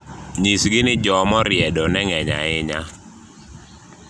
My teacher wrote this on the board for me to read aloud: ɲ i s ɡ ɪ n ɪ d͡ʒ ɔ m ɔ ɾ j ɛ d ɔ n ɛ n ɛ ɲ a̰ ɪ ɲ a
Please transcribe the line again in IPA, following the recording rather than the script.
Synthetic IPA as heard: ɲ i s ɡ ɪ n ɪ d͡ʒ ɔ m ɔ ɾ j ɛ d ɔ n ɛ ŋ ɛ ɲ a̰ ɪ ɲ a